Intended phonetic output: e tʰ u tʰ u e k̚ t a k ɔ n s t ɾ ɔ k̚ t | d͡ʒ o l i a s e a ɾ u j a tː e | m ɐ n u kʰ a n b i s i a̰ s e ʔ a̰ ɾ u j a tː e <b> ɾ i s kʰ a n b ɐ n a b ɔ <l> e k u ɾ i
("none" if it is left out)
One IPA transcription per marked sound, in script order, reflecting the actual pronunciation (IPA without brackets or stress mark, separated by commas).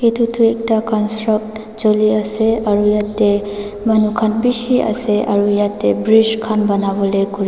b, l